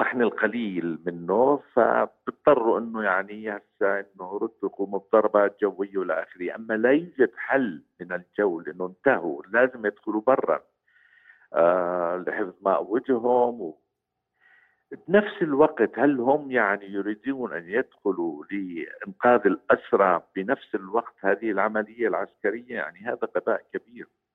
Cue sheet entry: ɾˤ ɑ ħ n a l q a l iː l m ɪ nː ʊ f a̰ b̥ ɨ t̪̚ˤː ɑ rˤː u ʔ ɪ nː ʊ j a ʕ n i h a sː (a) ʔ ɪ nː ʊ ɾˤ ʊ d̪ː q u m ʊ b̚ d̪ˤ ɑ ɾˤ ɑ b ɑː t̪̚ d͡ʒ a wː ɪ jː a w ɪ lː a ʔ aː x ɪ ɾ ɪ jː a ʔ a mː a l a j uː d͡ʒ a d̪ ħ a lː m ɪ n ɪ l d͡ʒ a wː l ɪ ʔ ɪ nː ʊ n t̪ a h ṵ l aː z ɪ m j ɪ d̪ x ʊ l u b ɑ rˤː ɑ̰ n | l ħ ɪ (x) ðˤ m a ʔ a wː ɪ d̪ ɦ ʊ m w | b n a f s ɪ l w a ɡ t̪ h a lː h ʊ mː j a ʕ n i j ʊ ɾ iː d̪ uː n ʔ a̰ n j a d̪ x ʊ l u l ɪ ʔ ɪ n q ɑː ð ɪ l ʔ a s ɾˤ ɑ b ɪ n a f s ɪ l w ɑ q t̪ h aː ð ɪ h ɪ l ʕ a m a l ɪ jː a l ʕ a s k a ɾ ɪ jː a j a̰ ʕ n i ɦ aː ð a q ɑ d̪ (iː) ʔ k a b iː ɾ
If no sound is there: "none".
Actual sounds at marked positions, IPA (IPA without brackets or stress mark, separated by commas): a, f, aː